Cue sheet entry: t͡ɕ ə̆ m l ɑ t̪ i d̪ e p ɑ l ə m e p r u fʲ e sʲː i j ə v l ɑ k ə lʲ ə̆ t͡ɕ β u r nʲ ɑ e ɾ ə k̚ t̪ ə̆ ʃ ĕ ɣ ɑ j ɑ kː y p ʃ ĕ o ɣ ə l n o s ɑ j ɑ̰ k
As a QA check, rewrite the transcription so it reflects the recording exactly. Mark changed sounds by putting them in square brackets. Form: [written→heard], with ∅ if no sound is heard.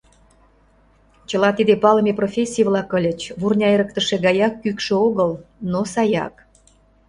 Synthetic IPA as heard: t͡ɕ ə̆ [m→∅] l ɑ t̪ i d̪ e p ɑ l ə m e p r [u→o] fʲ e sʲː i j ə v l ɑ k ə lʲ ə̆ t͡ɕ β u r nʲ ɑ e ɾ ə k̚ t̪ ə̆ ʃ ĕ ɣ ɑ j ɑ kː y [p→k] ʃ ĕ o ɣ ə l n o s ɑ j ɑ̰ k